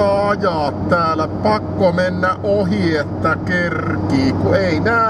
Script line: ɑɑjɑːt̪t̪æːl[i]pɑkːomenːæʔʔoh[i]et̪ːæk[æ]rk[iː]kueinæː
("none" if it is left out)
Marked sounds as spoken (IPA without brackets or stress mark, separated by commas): æ, i, e, iː